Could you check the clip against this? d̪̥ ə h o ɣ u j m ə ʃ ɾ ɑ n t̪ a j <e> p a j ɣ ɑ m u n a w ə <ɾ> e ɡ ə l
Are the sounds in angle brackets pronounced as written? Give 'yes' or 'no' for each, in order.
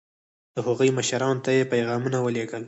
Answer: yes, no

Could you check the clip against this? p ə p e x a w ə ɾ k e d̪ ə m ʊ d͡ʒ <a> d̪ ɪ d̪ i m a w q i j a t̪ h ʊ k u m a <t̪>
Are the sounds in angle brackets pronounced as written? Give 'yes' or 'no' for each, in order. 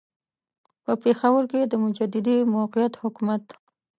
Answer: yes, yes

